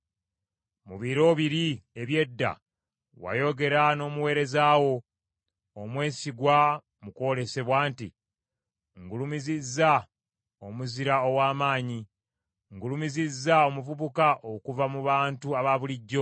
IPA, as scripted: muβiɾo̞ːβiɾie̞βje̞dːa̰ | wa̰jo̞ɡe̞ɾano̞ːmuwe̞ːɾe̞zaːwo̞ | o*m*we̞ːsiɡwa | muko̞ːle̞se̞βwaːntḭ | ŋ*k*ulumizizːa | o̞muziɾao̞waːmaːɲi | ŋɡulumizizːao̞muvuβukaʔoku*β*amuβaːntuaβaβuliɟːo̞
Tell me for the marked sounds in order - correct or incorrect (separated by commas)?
correct, incorrect, incorrect